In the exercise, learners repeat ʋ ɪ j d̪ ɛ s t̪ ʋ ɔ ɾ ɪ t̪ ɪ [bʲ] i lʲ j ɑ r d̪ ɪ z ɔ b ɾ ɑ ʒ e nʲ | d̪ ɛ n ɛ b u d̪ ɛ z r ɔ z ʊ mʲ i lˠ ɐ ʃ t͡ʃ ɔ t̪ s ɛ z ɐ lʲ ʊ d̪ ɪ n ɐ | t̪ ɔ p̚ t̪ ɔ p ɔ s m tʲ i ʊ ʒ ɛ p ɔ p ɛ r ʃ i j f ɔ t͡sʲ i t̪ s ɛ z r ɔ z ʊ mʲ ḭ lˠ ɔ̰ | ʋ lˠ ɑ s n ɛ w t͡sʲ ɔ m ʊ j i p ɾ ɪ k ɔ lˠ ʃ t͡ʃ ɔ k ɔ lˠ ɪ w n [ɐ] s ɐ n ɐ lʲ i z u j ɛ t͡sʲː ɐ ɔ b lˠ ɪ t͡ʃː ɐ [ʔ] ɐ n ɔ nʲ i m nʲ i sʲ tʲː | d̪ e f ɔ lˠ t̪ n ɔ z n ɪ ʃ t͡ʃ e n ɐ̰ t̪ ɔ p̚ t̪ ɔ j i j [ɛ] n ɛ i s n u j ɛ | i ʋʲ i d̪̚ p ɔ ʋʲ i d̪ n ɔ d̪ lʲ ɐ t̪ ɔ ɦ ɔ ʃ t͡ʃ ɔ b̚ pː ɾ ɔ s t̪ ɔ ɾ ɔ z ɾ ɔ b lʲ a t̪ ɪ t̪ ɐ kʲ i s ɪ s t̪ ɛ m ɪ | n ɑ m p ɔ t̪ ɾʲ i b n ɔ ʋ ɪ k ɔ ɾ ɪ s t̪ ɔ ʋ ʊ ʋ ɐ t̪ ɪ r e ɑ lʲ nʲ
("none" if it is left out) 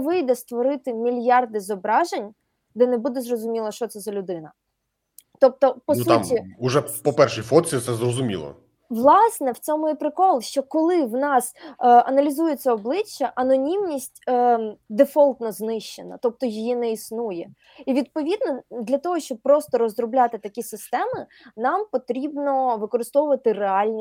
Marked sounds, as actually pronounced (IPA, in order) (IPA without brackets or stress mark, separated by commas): mʲ, ɑ, ʔ, i